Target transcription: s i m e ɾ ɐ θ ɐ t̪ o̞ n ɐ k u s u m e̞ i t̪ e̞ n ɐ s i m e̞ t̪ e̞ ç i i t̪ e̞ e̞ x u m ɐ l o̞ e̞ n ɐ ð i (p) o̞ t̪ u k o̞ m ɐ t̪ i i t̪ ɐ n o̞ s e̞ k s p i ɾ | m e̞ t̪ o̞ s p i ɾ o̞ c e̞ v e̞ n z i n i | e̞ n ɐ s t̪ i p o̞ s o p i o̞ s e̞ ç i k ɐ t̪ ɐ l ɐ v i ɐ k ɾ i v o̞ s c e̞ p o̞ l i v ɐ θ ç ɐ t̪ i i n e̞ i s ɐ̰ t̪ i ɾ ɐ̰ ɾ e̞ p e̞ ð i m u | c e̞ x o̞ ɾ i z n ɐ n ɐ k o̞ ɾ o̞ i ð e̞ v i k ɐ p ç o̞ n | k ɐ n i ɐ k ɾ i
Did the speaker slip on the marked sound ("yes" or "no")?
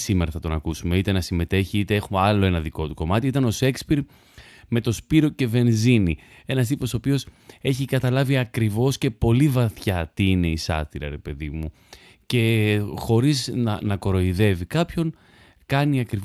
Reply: yes